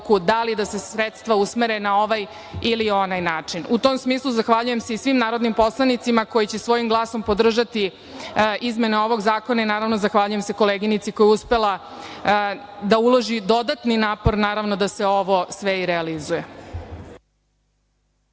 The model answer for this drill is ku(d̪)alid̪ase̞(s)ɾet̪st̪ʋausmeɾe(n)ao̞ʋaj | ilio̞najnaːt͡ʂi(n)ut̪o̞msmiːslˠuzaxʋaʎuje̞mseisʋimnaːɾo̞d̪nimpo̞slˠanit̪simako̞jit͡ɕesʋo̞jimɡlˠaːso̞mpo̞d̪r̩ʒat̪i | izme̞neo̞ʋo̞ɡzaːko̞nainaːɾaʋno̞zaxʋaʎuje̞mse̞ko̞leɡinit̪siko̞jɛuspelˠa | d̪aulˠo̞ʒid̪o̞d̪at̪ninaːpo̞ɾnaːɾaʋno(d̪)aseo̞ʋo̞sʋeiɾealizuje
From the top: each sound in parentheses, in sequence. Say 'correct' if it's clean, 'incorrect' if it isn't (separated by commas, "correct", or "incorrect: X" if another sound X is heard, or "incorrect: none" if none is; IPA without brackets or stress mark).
correct, correct, correct, correct, correct